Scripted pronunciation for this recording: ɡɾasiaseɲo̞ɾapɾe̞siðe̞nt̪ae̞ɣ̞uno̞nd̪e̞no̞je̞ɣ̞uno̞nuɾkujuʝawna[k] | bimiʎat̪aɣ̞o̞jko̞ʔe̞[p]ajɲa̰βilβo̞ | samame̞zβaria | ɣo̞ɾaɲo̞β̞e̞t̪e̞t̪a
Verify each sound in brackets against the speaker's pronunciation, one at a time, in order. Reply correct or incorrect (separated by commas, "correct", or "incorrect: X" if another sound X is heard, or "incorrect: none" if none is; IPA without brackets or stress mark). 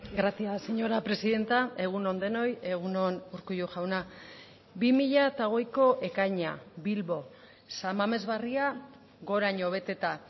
incorrect: none, incorrect: k